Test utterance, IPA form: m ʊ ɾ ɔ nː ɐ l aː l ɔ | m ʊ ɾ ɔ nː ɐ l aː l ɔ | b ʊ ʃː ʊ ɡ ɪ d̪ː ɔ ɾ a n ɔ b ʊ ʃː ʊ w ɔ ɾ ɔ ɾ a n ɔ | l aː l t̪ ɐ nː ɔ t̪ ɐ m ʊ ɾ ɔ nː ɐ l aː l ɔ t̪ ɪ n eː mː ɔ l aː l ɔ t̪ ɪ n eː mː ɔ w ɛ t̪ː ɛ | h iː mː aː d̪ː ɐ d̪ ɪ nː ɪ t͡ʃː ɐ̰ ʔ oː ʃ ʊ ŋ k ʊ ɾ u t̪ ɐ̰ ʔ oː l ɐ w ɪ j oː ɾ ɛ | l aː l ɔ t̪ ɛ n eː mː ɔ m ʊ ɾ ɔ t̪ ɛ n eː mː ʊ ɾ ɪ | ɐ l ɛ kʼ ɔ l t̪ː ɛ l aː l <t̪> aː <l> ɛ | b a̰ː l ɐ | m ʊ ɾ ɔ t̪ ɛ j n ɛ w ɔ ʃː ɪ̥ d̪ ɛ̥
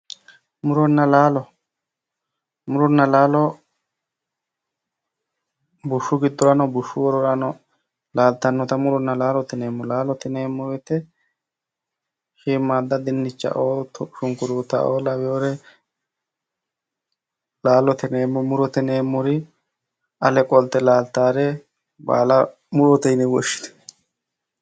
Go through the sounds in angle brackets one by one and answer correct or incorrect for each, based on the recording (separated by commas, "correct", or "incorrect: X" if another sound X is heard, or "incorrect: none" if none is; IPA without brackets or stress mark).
correct, incorrect: ɾ